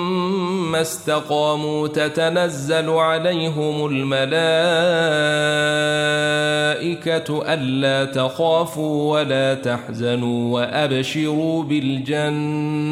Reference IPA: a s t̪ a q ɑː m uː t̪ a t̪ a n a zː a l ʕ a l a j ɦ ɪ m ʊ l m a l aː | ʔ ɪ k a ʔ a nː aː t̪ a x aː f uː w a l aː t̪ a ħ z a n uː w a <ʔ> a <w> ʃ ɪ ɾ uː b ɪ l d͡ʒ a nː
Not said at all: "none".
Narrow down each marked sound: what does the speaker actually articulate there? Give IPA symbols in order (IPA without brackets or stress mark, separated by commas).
ʔ, b